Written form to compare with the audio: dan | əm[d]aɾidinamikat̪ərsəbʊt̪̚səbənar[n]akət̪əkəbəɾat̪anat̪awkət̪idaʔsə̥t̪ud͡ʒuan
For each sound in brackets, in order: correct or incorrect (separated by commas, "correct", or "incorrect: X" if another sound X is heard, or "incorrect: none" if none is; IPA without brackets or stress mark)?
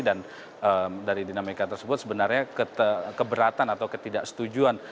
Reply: correct, incorrect: ɲ